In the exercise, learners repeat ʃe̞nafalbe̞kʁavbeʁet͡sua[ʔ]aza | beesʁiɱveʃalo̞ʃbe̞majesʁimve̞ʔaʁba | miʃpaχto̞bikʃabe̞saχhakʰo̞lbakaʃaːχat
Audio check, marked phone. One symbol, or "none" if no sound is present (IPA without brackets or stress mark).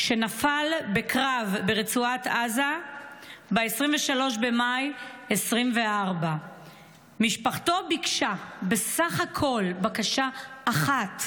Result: t